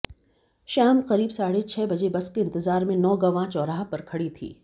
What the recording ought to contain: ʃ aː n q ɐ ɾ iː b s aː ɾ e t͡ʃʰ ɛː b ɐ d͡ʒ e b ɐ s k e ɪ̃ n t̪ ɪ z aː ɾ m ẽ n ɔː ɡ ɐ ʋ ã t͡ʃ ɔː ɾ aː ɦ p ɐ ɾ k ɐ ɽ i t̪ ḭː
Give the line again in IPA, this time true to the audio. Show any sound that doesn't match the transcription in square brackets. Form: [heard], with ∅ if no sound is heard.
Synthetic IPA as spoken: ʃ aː [m] q ɐ ɾ iː b s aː [ɽ] e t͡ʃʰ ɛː b ɐ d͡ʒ e b ɐ s k e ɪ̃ n t̪ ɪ z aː ɾ m ẽ n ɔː ɡ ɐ ʋ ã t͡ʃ ɔː ɾ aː ɦ p ɐ ɾ [kʰ] ɐ ɽ i [t̪ʰ] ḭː

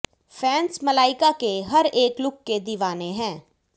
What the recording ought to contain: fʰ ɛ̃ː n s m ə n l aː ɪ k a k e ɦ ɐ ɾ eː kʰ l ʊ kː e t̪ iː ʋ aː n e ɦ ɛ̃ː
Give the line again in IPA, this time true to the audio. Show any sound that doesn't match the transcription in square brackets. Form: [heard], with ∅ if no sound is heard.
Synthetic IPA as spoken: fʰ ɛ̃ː n s m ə [∅] l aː ɪ k a k e ɦ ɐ ɾ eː [k] l ʊ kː e [d̪] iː ʋ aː n e ɦ ɛ̃ː

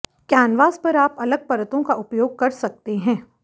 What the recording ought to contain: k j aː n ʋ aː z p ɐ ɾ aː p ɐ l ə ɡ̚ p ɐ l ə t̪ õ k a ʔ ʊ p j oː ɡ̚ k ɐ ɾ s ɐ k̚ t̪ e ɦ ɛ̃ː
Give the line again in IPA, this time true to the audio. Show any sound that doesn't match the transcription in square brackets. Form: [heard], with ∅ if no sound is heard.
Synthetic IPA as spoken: k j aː n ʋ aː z p ɐ ɾ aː p ɐ l ə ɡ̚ p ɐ [ɾ] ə t̪ õ k a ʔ ʊ p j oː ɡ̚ k ɐ ɾ s ɐ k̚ t̪ e ɦ ɛ̃ː

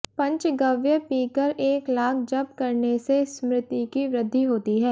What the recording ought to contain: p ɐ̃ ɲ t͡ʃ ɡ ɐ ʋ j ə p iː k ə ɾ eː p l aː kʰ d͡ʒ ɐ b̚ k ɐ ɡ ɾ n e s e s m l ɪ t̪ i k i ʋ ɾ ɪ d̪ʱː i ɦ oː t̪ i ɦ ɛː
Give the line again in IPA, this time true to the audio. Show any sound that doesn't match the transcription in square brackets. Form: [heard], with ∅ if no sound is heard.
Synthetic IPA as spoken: p ɐ̃ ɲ t͡ʃ ɡ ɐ ʋ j ə p iː k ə ɾ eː [k] l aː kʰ d͡ʒ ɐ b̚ k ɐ [∅] ɾ n e s e s m [ɾ] ɪ t̪ i k i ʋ ɾ ɪ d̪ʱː i ɦ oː t̪ i ɦ ɛː

